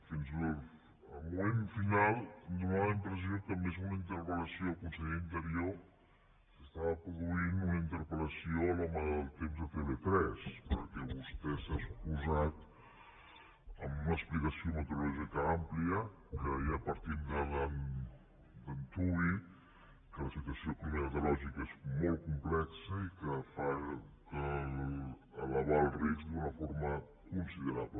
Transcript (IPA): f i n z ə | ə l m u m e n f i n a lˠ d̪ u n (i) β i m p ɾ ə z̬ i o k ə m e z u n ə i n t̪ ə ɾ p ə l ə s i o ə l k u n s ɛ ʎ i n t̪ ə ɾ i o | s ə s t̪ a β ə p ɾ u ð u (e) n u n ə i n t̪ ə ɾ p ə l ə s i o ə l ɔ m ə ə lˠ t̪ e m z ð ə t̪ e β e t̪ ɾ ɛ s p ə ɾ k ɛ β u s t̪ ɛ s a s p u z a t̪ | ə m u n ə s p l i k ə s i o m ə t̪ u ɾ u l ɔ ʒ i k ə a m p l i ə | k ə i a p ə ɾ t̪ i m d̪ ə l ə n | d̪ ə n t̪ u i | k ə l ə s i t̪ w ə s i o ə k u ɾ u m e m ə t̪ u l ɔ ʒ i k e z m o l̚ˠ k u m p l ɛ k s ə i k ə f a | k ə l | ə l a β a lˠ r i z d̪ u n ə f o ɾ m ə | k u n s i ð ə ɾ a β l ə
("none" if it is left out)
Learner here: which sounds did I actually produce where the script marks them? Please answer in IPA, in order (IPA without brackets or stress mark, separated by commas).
a, i